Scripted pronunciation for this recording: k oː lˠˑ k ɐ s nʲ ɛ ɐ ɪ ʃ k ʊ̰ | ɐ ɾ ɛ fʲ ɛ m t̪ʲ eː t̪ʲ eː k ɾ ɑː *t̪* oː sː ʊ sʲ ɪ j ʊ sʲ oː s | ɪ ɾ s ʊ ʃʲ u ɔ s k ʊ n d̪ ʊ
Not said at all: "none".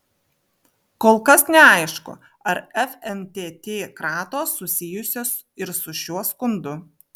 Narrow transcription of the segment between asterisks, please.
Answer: t̪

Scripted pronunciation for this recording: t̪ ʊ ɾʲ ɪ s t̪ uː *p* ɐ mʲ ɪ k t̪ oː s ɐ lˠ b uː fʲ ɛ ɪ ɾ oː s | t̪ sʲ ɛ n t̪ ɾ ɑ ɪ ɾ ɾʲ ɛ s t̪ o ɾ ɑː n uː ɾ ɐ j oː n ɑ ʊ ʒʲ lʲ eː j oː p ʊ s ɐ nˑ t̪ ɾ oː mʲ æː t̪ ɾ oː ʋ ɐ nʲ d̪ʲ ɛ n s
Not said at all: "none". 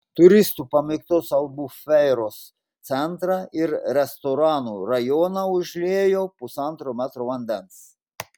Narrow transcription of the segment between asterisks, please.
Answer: p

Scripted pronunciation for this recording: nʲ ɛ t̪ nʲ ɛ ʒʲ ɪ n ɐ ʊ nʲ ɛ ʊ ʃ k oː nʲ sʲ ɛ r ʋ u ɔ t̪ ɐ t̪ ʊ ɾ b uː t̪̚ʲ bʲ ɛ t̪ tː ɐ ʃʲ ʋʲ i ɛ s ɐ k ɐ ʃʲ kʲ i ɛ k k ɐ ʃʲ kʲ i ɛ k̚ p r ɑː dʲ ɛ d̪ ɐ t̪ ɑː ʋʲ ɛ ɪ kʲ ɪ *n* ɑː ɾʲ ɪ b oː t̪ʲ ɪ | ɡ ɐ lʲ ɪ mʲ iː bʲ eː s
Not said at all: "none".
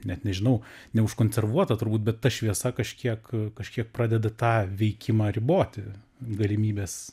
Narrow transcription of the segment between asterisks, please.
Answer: m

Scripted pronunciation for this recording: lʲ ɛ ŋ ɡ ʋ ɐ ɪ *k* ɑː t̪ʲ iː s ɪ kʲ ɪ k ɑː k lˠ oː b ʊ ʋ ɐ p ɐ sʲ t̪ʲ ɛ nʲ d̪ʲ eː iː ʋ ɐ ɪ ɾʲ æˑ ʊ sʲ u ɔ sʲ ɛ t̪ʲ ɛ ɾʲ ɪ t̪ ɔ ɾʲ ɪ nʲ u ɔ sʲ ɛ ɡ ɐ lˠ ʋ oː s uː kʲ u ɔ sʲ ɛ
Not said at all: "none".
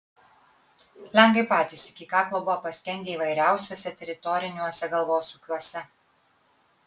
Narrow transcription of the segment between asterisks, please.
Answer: p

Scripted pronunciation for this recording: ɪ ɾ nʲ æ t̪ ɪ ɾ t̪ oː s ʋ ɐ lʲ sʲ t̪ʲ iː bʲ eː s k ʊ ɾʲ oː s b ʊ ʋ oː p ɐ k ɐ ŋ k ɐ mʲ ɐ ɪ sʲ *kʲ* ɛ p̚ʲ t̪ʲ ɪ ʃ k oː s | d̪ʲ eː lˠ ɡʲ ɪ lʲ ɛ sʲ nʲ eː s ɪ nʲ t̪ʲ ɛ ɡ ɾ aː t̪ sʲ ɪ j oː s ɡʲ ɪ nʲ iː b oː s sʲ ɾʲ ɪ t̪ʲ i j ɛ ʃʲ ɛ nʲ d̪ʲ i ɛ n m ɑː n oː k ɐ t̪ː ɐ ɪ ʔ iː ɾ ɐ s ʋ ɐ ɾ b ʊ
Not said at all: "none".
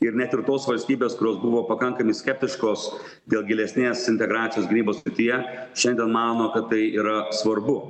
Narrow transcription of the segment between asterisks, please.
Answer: kʲ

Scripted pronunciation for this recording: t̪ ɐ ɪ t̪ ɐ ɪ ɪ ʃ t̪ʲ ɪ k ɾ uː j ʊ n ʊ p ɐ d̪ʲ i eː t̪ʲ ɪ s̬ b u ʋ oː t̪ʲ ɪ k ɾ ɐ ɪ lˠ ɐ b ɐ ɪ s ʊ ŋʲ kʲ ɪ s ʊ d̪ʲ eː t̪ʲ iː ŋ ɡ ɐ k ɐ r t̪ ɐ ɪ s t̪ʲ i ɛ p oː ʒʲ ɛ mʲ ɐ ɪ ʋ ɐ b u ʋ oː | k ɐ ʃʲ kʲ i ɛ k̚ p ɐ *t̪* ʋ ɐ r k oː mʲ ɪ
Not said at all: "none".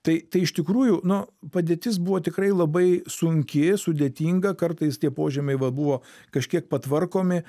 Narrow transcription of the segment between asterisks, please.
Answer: t̪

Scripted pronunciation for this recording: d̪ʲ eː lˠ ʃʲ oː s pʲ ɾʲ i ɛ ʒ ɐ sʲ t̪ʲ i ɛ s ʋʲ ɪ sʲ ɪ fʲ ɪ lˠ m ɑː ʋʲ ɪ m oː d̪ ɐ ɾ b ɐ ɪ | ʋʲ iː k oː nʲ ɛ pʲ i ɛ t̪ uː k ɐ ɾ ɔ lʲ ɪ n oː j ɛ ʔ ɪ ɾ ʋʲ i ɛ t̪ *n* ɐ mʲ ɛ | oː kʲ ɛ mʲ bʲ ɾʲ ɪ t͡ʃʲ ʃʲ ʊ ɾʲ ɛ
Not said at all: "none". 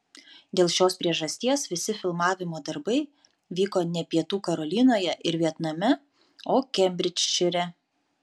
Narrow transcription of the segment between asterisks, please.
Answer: n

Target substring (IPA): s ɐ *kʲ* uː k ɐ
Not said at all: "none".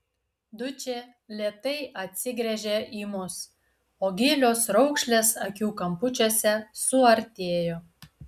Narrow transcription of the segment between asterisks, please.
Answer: kʲ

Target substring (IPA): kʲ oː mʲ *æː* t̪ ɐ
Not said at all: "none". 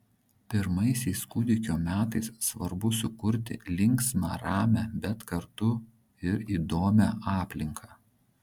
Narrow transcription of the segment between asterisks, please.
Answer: æː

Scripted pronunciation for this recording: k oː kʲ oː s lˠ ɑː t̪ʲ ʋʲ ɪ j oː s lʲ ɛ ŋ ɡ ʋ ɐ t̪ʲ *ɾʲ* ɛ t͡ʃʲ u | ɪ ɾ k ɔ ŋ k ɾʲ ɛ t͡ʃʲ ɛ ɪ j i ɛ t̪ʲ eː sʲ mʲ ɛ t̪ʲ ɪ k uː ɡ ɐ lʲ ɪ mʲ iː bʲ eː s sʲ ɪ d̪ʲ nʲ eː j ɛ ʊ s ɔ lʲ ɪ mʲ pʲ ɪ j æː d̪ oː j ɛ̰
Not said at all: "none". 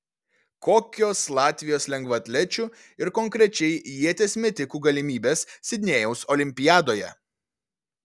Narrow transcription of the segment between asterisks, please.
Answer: lʲ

